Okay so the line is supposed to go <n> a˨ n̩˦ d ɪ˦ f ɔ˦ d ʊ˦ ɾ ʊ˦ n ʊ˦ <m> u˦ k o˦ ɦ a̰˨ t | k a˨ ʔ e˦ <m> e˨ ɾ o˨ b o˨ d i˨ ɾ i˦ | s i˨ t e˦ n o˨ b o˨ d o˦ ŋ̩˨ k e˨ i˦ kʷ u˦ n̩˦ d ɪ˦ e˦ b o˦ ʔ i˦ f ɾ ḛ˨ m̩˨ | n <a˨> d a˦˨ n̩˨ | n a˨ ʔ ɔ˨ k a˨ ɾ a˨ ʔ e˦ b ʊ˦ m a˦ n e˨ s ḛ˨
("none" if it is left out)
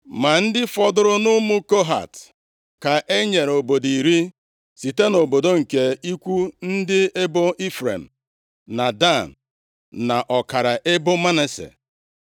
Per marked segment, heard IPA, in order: m, m, ɲ, a˨

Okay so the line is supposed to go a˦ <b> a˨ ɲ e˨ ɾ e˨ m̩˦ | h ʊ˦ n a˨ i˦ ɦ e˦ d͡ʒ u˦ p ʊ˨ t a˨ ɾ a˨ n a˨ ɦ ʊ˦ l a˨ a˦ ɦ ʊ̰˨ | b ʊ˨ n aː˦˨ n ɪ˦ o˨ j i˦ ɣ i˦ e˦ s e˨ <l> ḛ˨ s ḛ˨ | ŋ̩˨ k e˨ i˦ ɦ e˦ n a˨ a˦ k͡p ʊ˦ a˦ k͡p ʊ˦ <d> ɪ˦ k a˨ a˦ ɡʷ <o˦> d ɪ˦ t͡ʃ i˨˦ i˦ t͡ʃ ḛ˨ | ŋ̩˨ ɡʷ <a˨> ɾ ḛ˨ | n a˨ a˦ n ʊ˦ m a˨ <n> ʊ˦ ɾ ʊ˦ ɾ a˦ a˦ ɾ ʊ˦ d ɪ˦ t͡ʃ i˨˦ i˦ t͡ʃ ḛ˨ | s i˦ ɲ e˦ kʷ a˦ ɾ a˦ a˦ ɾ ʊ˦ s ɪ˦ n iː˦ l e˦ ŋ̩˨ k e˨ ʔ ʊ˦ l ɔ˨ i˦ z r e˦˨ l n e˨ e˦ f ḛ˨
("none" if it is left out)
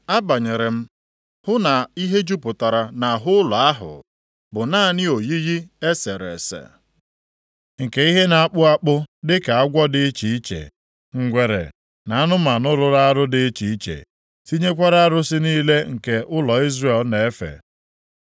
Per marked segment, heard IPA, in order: b, ɾ, d, ɔ˦, e˨, n

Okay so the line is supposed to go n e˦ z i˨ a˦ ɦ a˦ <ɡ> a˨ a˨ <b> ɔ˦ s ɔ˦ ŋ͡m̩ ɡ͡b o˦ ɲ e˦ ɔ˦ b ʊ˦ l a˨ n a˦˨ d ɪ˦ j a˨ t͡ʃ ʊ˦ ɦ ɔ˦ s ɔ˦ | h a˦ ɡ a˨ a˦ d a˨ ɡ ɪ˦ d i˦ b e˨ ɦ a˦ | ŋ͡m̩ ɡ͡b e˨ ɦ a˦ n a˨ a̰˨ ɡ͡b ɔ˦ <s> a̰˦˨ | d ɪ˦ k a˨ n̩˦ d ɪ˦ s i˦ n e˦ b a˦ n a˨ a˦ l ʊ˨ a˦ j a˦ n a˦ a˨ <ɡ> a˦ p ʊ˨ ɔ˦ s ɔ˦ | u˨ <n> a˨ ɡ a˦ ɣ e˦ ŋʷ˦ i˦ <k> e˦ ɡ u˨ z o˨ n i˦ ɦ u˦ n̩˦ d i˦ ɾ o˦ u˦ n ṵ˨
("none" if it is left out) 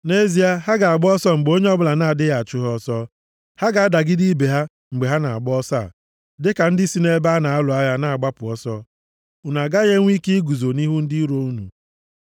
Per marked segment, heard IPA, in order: ɡ, ɡ͡b, s, ɡ͡b, n, k

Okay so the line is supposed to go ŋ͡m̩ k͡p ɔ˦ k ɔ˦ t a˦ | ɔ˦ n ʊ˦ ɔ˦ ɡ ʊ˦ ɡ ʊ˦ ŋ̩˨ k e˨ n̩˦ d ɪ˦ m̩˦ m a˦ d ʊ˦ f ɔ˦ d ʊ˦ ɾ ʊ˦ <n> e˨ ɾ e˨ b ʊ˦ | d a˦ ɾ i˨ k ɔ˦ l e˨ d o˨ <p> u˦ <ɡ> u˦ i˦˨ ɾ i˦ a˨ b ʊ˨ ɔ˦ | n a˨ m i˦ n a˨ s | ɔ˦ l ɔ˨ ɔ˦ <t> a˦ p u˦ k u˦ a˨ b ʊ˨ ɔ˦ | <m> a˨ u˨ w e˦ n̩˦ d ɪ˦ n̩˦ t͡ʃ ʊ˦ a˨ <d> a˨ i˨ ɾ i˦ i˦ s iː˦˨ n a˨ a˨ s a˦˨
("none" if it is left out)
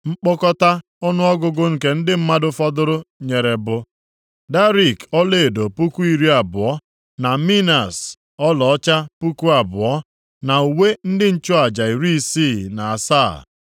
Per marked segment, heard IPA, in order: ɲ, p, k, t͡ʃ, n, d͡ʒ

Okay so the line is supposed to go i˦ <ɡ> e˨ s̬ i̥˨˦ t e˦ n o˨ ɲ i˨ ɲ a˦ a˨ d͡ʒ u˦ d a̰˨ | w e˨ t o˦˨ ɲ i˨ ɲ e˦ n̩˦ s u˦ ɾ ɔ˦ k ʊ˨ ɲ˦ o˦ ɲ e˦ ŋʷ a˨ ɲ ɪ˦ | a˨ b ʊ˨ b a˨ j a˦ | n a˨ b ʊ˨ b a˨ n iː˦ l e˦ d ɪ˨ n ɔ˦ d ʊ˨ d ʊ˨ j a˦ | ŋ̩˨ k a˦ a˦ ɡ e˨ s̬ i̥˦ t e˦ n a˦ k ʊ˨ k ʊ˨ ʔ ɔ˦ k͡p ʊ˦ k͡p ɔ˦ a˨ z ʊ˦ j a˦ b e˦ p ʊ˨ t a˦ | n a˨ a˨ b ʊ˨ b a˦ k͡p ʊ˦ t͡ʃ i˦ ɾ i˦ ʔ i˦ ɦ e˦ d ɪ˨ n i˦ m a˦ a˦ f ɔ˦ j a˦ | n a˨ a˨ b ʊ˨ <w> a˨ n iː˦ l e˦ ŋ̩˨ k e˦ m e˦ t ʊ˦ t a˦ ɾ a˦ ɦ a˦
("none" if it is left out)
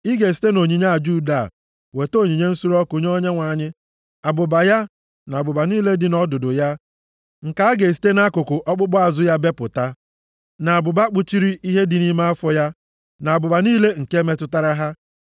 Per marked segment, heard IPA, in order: ɡ, b

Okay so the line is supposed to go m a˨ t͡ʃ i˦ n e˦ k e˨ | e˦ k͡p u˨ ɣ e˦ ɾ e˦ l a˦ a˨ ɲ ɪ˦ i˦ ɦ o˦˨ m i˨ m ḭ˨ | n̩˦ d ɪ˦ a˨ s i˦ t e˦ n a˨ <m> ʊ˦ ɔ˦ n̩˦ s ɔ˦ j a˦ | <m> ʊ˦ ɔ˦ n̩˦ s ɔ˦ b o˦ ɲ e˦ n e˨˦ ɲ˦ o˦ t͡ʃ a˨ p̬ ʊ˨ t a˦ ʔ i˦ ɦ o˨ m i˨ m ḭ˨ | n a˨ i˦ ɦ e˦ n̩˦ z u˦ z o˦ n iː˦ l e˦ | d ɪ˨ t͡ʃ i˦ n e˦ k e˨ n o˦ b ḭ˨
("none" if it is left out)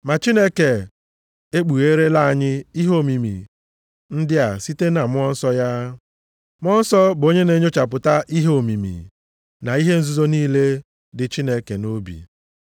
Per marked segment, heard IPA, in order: m, m

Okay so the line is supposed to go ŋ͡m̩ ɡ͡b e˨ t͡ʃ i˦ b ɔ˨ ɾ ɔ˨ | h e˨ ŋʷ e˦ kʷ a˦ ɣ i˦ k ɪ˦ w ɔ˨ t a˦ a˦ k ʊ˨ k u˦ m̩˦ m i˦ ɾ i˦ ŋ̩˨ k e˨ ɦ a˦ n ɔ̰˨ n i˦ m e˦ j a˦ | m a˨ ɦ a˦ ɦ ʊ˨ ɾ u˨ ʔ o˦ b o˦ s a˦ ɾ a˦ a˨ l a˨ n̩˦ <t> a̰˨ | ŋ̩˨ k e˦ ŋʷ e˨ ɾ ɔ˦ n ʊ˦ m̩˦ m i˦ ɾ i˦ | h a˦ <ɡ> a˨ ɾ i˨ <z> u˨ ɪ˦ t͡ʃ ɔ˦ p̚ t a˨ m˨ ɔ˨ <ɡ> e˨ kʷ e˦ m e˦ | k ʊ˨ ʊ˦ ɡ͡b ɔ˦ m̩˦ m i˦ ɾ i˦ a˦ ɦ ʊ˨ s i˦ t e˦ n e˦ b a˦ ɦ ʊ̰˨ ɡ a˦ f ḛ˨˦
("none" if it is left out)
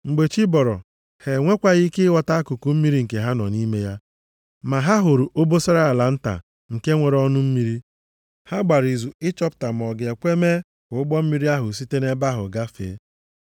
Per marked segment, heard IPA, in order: t, ɡ͡b, z, ɡ

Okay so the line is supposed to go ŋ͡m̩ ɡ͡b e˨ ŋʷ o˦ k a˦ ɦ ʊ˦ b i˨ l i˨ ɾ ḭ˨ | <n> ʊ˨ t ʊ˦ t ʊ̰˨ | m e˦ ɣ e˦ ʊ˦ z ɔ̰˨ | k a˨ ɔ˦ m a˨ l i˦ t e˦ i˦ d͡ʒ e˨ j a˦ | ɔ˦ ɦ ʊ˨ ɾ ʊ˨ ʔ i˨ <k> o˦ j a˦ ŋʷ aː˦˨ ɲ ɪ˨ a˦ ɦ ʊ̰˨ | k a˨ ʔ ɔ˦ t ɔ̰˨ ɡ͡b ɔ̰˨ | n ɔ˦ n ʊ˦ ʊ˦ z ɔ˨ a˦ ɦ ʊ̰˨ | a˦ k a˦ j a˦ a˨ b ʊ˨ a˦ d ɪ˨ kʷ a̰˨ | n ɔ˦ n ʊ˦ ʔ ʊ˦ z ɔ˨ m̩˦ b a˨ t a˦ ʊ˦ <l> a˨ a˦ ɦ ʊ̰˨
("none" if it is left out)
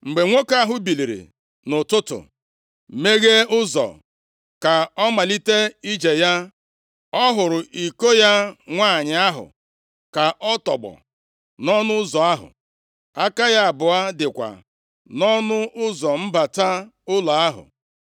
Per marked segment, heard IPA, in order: n, k, l

